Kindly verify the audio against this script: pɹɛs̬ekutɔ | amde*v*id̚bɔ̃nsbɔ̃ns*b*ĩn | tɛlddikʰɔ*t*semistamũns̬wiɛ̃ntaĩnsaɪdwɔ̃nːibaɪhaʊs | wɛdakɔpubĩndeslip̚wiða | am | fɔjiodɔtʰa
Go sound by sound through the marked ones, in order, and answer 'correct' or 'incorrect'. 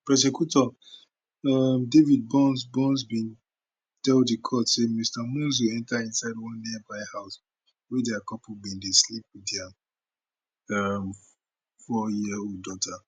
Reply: correct, correct, correct

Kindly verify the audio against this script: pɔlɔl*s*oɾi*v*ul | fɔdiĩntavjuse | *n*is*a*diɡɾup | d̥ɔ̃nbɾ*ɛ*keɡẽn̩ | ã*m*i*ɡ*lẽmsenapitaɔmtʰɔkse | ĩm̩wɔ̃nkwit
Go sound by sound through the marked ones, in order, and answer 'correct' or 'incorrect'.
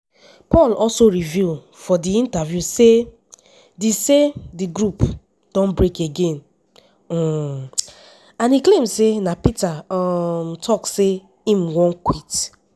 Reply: correct, correct, incorrect: d, incorrect: e, incorrect: e, incorrect: n, incorrect: k

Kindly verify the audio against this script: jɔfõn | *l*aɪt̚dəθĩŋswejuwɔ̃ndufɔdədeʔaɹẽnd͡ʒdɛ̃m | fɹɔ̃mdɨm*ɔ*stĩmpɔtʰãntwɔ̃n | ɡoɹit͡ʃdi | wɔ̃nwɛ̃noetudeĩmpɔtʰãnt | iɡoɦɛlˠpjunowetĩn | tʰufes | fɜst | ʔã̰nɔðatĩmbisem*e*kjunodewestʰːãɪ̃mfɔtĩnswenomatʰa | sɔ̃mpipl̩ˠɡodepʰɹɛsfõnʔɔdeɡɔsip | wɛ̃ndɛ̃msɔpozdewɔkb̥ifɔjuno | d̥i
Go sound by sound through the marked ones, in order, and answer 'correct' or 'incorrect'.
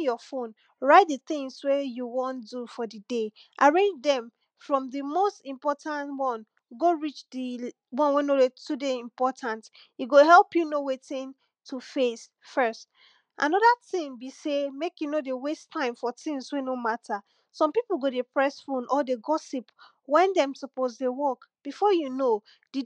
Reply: incorrect: ɹ, incorrect: o, correct

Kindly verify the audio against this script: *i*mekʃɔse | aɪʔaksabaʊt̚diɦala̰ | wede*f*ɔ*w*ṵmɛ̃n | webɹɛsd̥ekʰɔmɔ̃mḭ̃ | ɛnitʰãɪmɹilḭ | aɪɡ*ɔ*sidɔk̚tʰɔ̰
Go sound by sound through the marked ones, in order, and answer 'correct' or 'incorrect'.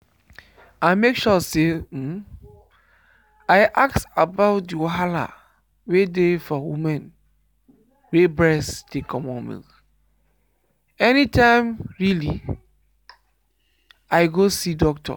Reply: incorrect: a, correct, correct, incorrect: o

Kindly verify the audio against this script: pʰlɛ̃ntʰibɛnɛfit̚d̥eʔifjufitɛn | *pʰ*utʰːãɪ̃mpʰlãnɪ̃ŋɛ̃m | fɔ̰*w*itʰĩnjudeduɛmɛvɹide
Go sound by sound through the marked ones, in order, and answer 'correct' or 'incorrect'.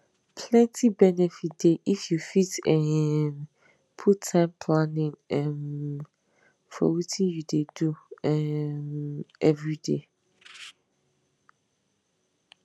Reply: correct, correct

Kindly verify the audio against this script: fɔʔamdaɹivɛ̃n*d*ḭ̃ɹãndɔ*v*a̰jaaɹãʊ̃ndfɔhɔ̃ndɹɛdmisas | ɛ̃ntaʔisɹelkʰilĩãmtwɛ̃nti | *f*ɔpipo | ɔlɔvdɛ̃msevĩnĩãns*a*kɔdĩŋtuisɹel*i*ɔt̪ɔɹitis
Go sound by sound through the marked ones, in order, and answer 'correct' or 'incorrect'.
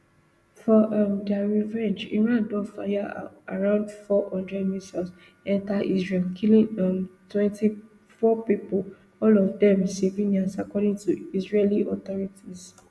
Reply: incorrect: d͡ʒ, incorrect: f, correct, correct, correct

